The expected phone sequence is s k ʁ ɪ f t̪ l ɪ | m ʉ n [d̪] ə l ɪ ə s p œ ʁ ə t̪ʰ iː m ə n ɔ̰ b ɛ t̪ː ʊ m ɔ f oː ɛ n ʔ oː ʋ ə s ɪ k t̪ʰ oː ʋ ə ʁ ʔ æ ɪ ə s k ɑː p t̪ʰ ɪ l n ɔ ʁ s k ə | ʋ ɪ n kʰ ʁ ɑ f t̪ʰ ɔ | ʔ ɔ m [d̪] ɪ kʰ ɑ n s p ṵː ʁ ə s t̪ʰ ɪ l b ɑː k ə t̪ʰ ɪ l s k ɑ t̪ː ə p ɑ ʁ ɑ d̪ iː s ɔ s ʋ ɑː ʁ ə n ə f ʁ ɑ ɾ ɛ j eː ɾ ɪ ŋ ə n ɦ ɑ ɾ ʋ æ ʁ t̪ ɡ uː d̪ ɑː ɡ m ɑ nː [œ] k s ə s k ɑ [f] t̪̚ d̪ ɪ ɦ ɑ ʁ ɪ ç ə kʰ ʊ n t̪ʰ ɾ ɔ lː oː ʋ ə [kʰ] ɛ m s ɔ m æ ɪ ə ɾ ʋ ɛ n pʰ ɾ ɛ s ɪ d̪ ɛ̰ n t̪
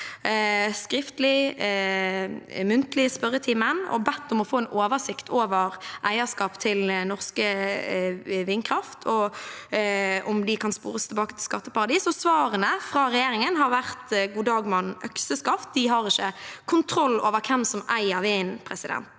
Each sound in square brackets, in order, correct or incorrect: incorrect, correct, correct, correct, correct

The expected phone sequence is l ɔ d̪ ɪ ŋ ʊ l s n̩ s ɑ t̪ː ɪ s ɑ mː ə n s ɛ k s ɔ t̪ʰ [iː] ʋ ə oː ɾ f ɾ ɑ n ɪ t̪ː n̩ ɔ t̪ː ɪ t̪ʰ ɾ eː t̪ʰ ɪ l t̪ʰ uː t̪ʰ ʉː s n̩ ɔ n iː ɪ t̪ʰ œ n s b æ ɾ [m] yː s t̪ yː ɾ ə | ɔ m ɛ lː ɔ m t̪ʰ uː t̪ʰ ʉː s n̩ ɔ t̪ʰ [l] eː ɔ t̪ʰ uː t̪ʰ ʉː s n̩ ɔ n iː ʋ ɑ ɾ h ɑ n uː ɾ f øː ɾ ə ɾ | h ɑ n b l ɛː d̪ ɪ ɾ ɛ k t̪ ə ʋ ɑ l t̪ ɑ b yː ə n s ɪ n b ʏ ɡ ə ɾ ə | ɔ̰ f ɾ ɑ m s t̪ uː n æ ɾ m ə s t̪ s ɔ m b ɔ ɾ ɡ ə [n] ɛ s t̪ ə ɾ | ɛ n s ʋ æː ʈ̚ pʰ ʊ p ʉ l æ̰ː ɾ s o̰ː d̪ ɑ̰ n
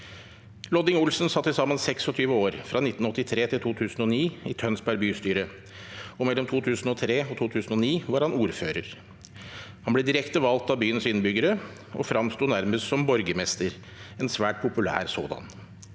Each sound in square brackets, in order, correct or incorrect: incorrect, incorrect, incorrect, incorrect

